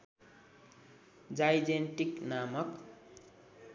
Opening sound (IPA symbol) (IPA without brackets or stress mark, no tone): d͡z